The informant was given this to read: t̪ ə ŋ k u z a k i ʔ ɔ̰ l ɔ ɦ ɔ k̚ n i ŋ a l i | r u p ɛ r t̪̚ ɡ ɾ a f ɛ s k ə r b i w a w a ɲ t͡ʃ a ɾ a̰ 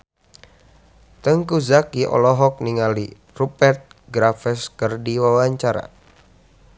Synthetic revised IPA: t̪ ə ŋ k u z a k i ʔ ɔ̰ l ɔ ɦ ɔ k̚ n i ŋ a l i | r u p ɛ r t̪̚ ɡ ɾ a f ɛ s k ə r d i w a w a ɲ t͡ʃ a ɾ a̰